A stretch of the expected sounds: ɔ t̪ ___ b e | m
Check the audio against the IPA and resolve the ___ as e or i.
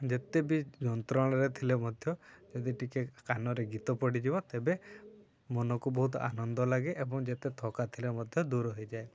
e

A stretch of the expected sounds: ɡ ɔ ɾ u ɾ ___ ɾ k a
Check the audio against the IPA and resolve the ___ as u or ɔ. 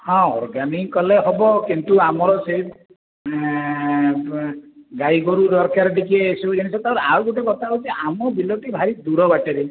ɔ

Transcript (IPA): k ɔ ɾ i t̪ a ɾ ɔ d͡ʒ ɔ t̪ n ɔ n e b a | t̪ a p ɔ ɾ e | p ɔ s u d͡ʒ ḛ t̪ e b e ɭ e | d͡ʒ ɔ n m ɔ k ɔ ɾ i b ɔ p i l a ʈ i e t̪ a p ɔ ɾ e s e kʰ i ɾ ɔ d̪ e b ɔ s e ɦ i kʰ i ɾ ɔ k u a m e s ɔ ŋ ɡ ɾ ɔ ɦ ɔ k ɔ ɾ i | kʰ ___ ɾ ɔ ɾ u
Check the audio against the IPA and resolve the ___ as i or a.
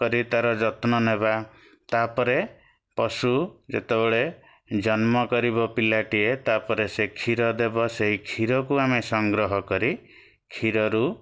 i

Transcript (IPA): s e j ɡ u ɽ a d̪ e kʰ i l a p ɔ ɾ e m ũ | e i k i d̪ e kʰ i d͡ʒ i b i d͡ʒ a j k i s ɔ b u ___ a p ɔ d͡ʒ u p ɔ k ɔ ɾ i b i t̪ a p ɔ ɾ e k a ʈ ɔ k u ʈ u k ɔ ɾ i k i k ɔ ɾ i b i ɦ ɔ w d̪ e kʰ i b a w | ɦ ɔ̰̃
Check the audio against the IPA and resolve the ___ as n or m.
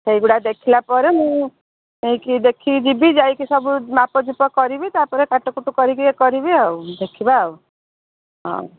m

